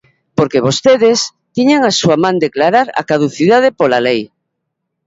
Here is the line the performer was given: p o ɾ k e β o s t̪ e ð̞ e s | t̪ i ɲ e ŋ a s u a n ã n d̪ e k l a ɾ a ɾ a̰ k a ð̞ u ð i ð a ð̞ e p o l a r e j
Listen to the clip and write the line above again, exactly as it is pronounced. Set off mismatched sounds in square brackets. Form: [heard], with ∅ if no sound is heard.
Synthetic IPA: p o ɾ k e β o s t̪ e ð̞ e s | t̪ i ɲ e ŋ a s u a [m] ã n d̪ e k l a ɾ a ɾ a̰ k a ð̞ u [θ] i ð a ð̞ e p o l a [l] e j

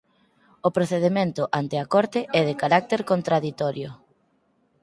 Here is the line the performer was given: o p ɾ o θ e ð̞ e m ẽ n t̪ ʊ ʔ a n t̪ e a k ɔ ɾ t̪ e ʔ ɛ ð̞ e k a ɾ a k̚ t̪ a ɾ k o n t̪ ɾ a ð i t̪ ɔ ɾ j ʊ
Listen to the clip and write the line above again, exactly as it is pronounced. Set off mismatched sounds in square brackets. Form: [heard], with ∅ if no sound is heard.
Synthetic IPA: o p ɾ o θ e ð̞ e m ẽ n t̪ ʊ ʔ a n t̪ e a k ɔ ɾ t̪ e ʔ ɛ ð̞ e k a ɾ a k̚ t̪ [e] ɾ k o n t̪ ɾ a ð i t̪ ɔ ɾ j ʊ

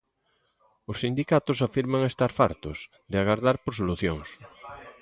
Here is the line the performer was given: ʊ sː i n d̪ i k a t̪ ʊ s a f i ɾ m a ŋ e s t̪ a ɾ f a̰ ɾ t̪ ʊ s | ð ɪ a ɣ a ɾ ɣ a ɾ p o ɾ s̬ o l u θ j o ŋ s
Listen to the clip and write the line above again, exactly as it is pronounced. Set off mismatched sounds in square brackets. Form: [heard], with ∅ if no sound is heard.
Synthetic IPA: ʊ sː i n d̪ i k a t̪ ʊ s a f i ɾ m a ŋ e s t̪ a ɾ f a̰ ɾ t̪ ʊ s | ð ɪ a ɣ a ɾ [ð] a ɾ p o ɾ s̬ o l u θ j o ŋ s

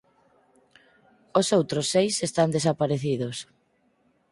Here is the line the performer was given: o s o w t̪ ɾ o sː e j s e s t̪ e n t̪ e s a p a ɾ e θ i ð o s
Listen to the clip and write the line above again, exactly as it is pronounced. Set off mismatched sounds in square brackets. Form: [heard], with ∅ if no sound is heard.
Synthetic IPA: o s o w t̪ ɾ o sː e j s e s t̪ [a] n [d̪] e s a p a ɾ e θ i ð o s

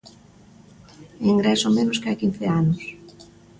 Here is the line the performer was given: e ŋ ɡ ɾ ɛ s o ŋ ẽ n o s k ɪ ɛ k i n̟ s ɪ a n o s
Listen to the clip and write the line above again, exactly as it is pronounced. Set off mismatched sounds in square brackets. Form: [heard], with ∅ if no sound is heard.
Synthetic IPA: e ŋ ɡ ɾ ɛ s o [m] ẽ n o s k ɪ [a] k i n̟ [θ] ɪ a n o s

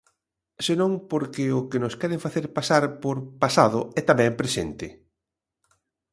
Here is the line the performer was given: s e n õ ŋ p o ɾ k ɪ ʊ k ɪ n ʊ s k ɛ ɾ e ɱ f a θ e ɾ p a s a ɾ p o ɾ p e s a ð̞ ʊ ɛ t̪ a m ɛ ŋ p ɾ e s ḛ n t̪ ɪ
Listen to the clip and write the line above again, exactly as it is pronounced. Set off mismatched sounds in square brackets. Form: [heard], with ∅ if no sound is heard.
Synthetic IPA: s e n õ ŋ p o ɾ k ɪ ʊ k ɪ n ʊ s k ɛ ɾ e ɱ f a θ e ɾ p a s a ɾ p o ɾ p [a] s a ð̞ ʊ ɛ t̪ a m ɛ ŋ p ɾ e s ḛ n t̪ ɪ

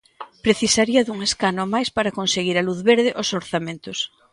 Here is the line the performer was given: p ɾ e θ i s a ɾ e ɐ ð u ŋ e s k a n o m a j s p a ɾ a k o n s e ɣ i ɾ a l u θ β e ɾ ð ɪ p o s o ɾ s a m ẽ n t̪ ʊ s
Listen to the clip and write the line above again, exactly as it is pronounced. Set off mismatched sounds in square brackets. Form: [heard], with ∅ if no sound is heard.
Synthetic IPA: p ɾ e θ i s a ɾ [i] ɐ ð u ŋ e s k a n o m a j s p a ɾ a k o n s e ɣ i ɾ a l u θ β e ɾ ð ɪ [ʔ] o s o ɾ [θ] a m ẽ n t̪ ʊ s

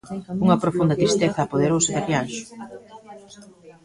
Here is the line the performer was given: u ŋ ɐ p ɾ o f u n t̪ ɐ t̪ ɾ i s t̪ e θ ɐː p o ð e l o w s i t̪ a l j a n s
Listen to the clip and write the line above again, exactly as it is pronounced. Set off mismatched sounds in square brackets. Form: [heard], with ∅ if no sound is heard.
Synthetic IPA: u ŋ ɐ p ɾ o f u n [d̪] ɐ t̪ ɾ i s t̪ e θ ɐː p o ð e [ɾ] o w s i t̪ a l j a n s

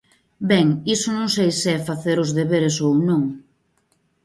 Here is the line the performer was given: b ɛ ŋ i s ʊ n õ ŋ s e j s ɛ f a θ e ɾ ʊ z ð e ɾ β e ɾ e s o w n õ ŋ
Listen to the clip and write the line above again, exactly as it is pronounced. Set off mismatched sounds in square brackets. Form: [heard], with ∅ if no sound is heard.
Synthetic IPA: b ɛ ŋ i s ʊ n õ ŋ s e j s ɛ f a θ e ɾ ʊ z ð e [∅] β e ɾ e s o w n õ ŋ

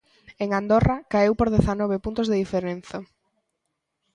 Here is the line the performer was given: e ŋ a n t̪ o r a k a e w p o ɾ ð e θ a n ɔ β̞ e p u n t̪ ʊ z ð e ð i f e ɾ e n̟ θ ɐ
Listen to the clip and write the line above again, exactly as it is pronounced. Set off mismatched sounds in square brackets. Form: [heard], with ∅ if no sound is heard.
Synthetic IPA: e ŋ a n [d̪] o r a k a e w p o ɾ ð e θ a n ɔ β̞ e p u n t̪ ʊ z ð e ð i f e ɾ e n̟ θ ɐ

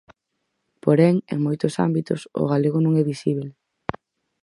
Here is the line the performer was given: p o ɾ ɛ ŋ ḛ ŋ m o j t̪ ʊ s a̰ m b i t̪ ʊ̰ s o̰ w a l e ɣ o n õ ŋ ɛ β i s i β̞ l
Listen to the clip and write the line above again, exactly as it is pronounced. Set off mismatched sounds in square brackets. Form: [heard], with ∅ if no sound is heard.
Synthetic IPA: p o ɾ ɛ ŋ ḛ ŋ m o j t̪ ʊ s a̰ m b i t̪ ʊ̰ s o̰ [ɣ] a l e ɣ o n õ ŋ ɛ β i s i β̞ l

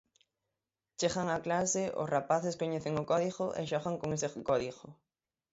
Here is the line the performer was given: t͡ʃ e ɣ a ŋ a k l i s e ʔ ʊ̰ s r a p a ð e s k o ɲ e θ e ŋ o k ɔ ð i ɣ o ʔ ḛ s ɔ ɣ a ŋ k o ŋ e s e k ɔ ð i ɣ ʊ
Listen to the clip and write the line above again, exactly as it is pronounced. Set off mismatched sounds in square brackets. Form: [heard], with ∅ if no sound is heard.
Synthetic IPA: t͡ʃ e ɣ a ŋ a k l [a] s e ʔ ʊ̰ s r a p a [θ] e s k o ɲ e θ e ŋ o k ɔ ð i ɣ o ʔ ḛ [ʃ] ɔ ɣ a ŋ k o ŋ e s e k ɔ ð i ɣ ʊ

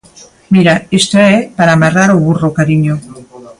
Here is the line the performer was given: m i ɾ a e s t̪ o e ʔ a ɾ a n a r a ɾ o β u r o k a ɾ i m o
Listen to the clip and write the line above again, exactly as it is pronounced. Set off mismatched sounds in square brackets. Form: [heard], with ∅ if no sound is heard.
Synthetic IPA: m i ɾ a e s t̪ o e [p] a ɾ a [m] a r a ɾ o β u r o k a ɾ i [ɲ] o

